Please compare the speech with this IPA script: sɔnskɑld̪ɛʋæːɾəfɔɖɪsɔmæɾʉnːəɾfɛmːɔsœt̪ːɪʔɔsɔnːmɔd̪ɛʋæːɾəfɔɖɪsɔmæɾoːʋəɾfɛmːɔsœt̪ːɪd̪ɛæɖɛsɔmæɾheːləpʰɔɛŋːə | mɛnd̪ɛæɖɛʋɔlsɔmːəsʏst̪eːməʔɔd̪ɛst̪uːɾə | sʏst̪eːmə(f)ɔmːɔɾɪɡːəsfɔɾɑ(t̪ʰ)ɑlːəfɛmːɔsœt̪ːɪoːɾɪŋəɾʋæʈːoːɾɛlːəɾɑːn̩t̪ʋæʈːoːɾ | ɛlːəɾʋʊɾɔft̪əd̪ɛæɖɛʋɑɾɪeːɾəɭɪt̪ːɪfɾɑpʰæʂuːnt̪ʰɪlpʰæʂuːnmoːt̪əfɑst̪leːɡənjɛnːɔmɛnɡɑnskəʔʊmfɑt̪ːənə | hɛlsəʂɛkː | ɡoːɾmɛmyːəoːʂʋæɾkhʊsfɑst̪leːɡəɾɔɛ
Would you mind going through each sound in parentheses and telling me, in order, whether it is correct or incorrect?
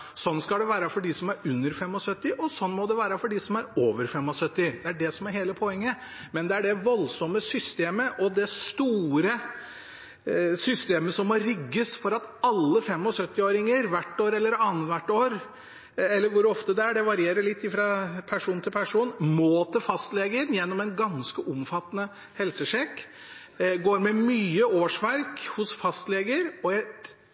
incorrect, incorrect

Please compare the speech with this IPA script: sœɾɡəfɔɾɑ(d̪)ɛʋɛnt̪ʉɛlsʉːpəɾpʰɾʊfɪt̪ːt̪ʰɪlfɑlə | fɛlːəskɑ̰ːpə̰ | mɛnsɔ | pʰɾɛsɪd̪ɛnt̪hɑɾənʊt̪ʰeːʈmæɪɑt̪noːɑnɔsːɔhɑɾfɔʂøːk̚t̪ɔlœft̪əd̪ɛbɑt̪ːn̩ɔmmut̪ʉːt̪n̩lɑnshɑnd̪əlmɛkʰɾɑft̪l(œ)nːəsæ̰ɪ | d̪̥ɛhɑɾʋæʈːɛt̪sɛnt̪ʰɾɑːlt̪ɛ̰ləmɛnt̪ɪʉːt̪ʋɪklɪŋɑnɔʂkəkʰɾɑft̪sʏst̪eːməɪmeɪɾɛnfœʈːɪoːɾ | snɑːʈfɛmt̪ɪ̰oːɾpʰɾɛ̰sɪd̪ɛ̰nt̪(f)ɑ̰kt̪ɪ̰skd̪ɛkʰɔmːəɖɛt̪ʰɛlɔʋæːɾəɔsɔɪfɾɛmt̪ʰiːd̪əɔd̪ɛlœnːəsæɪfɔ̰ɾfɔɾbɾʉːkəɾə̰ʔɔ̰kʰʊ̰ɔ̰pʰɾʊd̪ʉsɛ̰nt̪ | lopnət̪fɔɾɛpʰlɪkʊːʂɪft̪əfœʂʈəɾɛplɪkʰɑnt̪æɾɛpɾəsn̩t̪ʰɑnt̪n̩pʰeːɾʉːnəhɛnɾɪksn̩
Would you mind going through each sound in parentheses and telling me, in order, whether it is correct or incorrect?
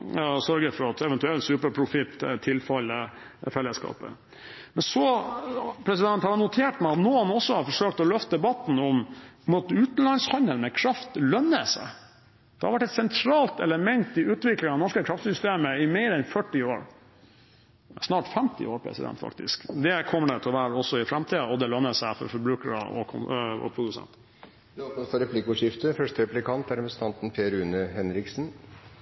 incorrect, correct, correct

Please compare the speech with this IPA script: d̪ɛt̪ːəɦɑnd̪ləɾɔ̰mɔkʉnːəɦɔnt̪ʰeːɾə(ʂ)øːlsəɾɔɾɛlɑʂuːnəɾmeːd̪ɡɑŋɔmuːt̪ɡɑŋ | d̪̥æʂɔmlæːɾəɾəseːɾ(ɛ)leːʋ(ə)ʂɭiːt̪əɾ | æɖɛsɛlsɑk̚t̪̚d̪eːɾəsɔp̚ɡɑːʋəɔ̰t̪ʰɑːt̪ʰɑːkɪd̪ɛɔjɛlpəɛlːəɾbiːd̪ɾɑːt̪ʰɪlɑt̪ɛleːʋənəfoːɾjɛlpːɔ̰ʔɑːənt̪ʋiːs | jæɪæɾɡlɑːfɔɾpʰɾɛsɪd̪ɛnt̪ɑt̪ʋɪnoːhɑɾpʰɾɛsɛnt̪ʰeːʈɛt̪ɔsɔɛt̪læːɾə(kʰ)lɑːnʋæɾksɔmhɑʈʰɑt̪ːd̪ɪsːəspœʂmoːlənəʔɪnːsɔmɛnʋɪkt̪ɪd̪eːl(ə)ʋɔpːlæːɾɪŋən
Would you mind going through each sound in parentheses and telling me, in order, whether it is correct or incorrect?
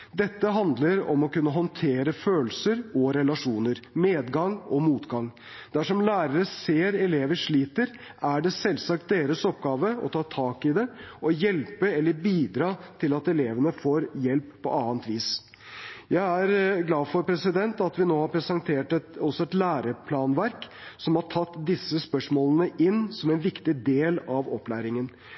incorrect, correct, correct, incorrect, incorrect

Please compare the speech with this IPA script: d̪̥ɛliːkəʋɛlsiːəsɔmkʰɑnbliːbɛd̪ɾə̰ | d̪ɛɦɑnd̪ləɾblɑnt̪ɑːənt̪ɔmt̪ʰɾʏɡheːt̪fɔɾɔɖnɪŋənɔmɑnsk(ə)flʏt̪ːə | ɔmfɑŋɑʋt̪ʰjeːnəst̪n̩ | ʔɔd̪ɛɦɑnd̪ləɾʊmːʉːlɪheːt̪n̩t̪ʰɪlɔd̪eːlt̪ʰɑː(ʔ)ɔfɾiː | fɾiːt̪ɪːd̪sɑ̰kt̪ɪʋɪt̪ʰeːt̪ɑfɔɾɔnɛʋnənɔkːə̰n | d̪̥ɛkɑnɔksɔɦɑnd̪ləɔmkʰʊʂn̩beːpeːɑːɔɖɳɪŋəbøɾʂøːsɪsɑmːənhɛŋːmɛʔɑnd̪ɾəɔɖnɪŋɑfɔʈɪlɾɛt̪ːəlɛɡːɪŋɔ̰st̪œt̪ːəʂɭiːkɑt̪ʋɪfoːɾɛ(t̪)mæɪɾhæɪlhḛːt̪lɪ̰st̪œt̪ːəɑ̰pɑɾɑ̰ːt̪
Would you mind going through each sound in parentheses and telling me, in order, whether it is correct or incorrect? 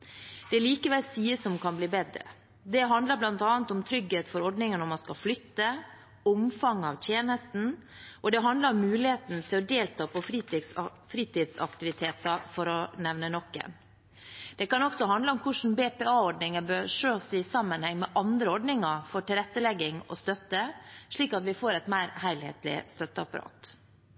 incorrect, incorrect, correct

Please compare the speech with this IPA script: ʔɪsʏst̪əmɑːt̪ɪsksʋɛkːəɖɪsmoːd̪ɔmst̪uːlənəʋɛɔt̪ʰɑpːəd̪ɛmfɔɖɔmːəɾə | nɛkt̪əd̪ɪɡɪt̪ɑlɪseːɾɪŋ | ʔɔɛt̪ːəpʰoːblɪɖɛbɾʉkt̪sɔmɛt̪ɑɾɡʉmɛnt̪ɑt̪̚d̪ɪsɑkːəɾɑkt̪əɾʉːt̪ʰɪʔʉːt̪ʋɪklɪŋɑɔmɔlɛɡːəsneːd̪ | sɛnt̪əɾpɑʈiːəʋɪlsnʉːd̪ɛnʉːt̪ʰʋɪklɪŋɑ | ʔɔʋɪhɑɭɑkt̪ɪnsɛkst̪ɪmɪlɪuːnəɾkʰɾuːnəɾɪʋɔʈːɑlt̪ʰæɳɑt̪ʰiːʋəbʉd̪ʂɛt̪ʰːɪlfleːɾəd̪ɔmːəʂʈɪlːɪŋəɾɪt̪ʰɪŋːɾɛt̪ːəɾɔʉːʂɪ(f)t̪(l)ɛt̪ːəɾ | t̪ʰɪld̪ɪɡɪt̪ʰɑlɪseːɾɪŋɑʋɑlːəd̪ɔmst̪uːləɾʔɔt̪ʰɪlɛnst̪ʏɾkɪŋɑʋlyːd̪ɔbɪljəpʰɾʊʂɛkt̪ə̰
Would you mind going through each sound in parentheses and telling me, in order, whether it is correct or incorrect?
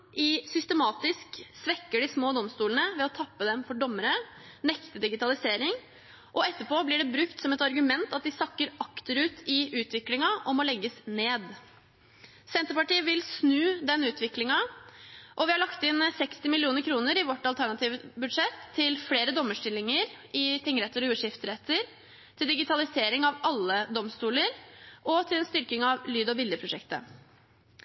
correct, incorrect

